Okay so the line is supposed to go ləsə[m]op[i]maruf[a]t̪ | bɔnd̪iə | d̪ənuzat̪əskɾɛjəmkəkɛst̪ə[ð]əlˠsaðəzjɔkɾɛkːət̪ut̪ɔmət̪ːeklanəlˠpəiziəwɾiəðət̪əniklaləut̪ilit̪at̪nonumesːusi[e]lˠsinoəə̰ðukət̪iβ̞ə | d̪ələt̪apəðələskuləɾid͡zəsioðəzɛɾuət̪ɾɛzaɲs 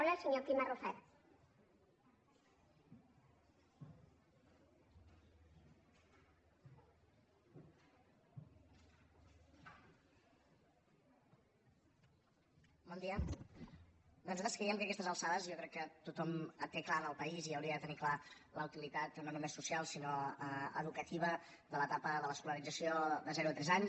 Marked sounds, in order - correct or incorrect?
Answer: incorrect: ɲ, correct, incorrect: ɛ, incorrect: z, incorrect: a

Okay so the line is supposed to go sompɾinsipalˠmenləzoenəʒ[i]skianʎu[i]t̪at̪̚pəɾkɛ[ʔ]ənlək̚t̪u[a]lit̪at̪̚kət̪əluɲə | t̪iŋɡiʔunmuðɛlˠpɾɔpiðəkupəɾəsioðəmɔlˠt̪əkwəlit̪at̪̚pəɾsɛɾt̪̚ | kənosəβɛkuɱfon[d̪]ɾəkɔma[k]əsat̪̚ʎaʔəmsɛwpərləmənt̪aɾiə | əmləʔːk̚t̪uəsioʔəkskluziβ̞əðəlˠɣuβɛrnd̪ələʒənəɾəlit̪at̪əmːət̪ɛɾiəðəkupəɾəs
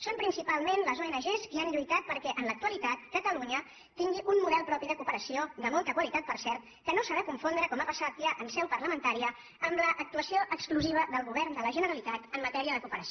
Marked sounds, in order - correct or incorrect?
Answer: incorrect: e, incorrect: j, correct, incorrect: ə, correct, incorrect: p

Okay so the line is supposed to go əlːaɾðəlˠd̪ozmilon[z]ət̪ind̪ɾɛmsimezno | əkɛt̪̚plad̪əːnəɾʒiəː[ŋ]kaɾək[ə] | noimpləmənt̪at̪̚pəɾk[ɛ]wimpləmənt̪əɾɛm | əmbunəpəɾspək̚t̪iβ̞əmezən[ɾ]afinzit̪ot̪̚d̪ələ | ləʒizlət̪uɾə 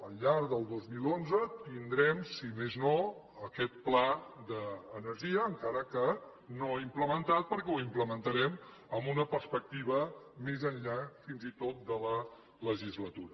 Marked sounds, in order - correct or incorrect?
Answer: correct, correct, correct, correct, incorrect: ʎ

